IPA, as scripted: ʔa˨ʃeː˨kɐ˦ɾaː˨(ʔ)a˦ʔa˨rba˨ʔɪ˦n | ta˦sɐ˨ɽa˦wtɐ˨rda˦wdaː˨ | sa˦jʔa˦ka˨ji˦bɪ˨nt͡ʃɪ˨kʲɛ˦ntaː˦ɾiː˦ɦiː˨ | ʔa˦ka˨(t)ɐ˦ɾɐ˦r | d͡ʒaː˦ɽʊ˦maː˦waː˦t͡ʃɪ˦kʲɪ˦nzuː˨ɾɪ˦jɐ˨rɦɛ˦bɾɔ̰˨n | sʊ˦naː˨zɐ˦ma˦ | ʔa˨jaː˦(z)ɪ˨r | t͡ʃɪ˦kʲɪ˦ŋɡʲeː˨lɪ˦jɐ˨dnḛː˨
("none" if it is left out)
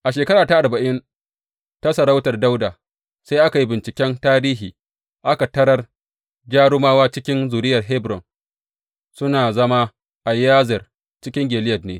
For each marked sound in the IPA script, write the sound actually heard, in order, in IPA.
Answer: t, t, z

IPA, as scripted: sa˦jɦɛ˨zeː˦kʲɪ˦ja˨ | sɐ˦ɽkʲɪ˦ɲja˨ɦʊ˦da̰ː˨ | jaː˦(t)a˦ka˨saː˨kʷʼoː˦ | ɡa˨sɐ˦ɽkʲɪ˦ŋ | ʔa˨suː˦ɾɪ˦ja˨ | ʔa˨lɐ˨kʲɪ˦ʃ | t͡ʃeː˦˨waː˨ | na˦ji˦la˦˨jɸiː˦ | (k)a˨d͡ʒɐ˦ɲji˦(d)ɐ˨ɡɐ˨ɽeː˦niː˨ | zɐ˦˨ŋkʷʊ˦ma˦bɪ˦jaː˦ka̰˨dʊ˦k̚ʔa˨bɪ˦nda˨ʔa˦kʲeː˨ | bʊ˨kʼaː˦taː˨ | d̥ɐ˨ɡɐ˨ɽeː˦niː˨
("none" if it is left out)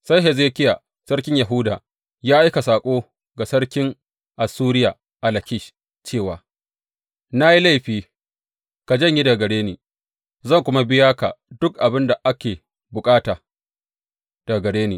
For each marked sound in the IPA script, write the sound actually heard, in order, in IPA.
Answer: ʔ, k, d

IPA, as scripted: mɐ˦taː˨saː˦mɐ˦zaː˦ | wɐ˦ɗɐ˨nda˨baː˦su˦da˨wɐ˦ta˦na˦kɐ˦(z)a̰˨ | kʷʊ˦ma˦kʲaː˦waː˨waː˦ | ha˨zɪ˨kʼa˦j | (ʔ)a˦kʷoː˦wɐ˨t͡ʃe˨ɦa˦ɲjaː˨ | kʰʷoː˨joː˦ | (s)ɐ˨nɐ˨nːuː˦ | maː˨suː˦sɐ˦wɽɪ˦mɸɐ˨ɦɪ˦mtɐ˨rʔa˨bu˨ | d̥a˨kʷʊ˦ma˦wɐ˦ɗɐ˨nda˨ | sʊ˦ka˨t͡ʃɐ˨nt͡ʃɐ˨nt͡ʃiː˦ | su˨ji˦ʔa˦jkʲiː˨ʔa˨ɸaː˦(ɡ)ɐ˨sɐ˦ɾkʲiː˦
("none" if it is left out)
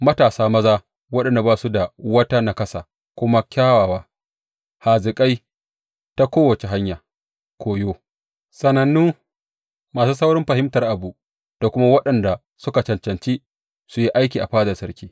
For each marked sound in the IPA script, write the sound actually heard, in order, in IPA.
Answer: s, t, s, d

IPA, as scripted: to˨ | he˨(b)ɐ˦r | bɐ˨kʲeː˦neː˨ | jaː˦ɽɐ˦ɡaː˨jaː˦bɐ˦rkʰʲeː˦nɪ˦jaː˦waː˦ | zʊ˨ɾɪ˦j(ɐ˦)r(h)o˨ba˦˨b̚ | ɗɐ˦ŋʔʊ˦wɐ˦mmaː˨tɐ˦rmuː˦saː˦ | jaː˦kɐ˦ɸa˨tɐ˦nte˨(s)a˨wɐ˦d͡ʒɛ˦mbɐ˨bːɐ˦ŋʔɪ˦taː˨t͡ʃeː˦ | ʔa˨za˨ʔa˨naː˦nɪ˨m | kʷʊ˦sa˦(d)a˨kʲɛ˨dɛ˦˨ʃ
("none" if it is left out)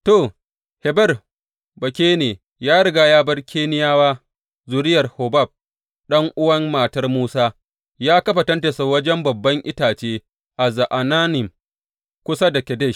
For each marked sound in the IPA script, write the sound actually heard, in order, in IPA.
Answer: b, ɐ˨, h, s, d

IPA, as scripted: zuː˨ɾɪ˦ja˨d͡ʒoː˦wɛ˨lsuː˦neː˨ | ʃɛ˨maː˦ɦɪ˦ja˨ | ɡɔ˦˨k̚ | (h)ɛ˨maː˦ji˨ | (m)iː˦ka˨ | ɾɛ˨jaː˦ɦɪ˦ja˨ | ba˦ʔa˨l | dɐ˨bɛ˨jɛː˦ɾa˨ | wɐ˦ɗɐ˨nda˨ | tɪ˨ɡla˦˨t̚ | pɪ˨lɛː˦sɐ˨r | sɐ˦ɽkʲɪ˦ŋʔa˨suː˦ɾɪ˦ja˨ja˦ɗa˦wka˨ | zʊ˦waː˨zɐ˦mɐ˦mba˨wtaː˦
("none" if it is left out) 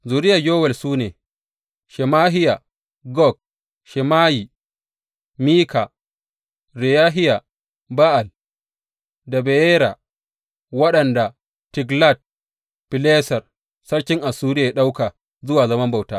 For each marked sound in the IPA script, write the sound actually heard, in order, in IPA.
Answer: ʃ, m

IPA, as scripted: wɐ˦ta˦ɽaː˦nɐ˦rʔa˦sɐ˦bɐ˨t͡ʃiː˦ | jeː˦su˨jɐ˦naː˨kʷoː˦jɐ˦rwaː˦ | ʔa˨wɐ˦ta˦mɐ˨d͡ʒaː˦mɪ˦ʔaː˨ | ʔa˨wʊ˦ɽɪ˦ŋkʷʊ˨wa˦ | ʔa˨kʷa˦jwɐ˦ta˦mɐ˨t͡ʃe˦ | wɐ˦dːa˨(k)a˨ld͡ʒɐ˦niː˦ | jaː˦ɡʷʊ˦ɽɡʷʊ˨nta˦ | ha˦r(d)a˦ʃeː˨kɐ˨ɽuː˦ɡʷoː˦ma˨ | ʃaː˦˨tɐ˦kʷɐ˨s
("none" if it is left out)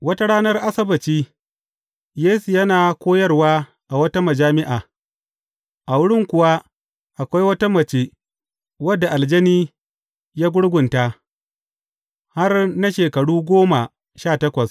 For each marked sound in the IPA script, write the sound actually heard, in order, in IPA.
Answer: ʔ, n

